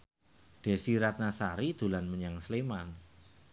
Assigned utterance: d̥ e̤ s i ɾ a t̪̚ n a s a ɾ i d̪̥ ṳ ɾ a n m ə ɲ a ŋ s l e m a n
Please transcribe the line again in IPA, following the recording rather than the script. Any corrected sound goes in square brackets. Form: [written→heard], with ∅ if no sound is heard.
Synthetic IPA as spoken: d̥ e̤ s i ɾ a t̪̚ n a s a ɾ i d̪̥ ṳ [ɾ→l] a n m ə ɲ a ŋ s l e m a n